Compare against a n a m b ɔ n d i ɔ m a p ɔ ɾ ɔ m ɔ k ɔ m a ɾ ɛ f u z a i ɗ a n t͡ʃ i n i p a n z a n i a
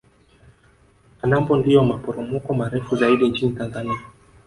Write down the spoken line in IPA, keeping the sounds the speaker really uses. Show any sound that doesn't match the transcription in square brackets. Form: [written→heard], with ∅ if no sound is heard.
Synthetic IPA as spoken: a n a m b ɔ n d i ɔ m a p ɔ ɾ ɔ m ɔ k ɔ m a ɾ ɛ f u z a i ɗ [a→i] n t͡ʃ i n i [p→t] a n z a n i a